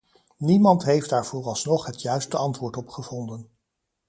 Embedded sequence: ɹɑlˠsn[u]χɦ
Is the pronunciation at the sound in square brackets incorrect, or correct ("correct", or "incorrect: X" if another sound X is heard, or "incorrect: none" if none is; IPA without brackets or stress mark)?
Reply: incorrect: ɔ